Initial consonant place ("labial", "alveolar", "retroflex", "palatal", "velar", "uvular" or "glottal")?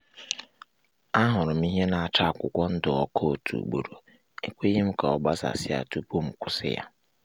glottal